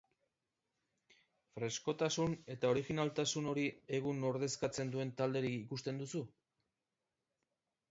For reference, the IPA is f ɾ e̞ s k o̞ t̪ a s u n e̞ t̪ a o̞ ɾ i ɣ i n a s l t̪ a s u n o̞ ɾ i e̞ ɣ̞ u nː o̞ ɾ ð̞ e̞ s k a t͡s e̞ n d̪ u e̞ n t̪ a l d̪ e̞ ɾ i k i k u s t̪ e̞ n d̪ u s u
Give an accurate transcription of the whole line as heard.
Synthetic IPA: f ɾ e̞ s k o̞ t̪ a s u n e̞ t̪ a o̞ ɾ i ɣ i n a l t̪ a s u n o̞ ɾ i e̞ ɣ̞ u n o̞ ɾ ð̞ e̞ s k a t͡s e̞ n d̪ u e̞ n t̪ a l d̪ e̞ ɾ i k i k u s t̪ e̞ n d̪ u s u